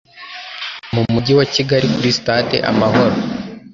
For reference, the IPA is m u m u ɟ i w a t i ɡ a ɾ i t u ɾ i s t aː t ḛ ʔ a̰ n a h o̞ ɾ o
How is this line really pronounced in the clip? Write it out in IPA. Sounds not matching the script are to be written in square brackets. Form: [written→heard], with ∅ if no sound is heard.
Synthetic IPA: m u m u ɟ i w a [t→c] i ɡ a ɾ i [t→k] u ɾ i s t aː t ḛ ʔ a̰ [n→m] a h o̞ ɾ o